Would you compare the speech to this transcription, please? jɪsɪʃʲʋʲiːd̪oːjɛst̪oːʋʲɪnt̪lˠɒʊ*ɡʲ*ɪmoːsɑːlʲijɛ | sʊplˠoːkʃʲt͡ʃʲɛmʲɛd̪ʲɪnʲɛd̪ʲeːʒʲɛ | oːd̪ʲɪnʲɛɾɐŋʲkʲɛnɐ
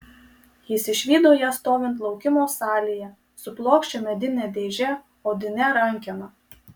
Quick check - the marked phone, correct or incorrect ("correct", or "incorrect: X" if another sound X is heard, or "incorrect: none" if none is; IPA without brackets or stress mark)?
incorrect: kʲ